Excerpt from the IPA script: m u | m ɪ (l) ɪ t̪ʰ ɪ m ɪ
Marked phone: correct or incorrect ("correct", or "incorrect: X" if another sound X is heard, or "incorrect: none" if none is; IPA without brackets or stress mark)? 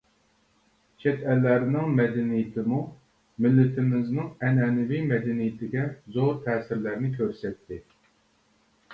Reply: incorrect: lː